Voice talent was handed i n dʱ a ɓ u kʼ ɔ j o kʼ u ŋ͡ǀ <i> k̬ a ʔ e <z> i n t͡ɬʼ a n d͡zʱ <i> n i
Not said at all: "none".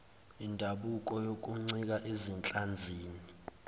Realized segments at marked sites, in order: i, z, iː

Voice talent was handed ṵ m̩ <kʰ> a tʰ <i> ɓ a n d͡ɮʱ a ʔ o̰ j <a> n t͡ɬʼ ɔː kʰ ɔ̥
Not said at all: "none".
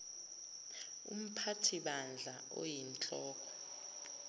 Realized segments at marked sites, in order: pʰ, i, i

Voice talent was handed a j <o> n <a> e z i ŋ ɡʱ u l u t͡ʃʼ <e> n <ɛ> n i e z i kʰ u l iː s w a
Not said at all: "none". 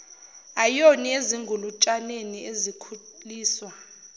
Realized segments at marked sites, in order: o, i, a, e

